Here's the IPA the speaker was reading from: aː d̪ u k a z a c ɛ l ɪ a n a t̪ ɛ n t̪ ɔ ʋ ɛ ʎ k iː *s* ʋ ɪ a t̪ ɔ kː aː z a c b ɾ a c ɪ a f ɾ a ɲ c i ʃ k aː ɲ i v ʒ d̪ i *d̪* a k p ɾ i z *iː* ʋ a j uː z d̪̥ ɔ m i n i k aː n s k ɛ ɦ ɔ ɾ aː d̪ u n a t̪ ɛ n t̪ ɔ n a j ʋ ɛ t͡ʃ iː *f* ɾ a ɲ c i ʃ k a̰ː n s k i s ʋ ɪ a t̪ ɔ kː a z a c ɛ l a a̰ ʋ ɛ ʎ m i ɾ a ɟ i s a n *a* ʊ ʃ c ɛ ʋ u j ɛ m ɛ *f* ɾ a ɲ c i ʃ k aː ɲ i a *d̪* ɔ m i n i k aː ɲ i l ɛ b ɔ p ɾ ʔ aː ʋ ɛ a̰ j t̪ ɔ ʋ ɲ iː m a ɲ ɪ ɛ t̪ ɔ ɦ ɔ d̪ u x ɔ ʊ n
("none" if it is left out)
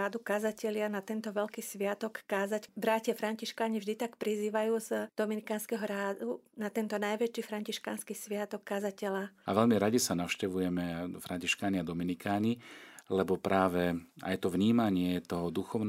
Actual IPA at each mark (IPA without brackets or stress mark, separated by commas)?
s, t̪, iː, f, a, f, d̪